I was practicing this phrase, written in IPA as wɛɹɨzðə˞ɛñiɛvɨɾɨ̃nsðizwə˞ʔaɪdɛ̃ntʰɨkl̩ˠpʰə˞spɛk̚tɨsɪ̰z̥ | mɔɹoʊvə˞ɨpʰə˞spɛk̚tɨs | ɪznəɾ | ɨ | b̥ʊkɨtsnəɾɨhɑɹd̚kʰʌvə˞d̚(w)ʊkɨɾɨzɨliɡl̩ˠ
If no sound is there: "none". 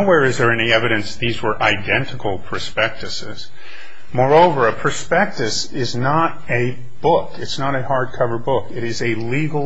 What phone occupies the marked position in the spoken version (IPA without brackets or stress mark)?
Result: b